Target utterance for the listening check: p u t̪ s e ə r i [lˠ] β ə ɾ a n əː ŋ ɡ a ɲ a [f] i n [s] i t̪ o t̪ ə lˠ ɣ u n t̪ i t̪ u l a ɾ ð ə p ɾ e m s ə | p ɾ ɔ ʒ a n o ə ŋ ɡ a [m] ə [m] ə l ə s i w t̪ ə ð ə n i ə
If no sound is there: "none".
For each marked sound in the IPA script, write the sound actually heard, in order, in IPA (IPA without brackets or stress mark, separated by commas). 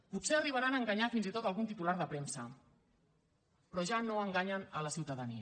none, f, z, ɲ, n